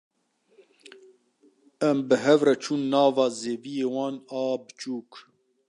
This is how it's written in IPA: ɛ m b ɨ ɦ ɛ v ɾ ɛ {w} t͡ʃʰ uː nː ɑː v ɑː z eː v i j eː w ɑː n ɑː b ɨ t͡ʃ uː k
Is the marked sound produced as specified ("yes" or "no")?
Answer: no